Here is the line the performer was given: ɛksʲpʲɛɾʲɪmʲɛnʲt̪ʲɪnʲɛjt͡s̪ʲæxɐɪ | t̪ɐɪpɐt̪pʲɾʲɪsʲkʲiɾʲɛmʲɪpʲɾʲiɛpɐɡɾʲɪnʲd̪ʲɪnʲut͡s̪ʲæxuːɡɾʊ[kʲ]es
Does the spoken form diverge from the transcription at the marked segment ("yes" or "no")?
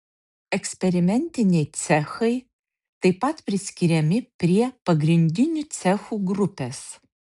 yes